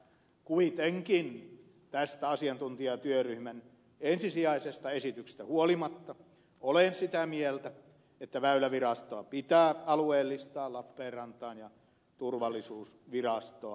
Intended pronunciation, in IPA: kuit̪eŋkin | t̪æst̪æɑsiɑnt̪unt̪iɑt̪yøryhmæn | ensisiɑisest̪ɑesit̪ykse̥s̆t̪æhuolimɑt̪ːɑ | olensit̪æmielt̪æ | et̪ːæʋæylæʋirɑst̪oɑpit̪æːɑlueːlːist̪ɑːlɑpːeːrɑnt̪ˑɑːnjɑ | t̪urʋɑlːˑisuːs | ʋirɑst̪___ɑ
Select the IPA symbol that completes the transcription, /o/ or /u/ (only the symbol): o